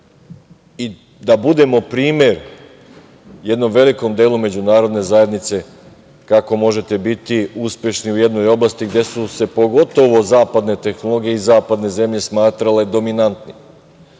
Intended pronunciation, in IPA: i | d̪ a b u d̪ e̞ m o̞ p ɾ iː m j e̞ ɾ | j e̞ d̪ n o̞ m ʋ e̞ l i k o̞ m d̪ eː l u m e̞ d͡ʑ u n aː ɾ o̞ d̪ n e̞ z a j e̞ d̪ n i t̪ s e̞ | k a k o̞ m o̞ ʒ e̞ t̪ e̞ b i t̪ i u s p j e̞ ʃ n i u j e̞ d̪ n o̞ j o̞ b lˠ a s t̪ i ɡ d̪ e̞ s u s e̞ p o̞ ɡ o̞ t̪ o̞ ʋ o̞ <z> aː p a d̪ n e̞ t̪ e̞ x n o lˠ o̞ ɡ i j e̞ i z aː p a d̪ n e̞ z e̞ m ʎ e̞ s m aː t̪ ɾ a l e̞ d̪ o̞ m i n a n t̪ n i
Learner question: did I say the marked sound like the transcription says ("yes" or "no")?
yes